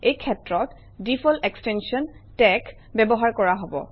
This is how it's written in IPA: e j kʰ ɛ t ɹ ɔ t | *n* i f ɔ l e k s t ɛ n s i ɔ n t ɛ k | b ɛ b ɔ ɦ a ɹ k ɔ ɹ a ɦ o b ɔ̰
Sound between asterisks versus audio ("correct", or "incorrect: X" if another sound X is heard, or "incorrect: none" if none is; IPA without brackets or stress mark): incorrect: d